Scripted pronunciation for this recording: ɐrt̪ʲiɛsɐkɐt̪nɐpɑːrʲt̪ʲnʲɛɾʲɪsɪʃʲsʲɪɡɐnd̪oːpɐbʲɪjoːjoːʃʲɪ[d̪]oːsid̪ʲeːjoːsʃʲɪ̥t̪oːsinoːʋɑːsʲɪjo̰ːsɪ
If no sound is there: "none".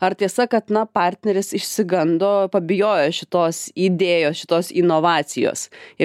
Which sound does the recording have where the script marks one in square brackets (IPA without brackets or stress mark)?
t̪